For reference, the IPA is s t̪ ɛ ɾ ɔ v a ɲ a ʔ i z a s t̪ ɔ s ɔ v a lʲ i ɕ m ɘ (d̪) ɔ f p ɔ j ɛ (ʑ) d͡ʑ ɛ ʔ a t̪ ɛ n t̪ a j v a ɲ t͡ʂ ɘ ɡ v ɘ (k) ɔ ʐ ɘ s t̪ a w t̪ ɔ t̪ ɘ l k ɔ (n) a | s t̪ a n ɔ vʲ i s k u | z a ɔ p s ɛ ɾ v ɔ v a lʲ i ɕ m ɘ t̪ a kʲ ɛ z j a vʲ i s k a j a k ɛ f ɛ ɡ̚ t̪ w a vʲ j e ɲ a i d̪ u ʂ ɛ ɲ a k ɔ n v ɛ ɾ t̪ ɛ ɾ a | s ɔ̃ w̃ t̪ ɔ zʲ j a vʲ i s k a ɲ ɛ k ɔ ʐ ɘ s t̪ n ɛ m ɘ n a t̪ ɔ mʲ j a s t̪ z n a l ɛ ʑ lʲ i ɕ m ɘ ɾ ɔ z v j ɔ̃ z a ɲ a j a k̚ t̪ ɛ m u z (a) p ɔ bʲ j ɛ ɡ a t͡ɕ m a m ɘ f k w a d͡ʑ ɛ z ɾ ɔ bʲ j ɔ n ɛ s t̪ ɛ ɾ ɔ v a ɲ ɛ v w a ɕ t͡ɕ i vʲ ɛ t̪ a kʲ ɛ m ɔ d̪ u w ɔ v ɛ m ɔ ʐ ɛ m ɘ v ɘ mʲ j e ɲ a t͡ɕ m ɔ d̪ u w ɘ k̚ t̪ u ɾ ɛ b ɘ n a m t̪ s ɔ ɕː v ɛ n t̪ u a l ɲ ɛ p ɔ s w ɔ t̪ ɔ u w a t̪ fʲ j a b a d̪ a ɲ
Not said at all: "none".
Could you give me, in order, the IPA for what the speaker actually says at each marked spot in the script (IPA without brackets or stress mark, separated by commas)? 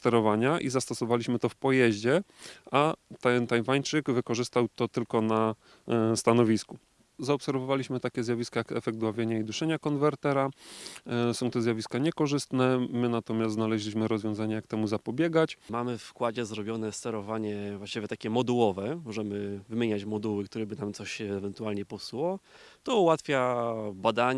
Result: t̪, ʑ, k, n, a